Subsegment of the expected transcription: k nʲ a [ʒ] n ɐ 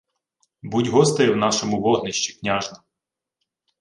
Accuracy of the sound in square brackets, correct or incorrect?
correct